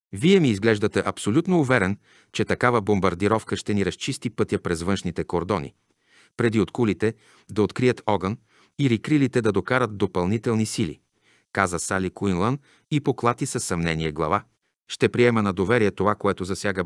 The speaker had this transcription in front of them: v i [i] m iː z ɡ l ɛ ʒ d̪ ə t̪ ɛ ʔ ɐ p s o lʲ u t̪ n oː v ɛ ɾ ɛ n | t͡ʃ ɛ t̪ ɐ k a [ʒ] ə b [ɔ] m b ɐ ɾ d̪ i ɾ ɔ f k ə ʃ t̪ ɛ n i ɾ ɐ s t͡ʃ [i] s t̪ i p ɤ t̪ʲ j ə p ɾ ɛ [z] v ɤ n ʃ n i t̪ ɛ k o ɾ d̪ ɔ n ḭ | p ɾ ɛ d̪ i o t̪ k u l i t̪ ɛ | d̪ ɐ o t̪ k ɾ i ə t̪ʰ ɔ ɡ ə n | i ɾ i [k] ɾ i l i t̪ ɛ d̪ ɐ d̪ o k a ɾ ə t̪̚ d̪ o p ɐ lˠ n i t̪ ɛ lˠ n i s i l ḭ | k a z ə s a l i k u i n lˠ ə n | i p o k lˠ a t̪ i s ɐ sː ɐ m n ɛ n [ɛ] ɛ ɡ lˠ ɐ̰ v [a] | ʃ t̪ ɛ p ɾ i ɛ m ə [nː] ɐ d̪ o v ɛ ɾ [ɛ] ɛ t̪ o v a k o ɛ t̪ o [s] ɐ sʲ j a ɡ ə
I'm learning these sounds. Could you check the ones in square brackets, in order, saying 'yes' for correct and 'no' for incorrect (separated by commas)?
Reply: no, no, no, yes, yes, yes, no, yes, no, no, no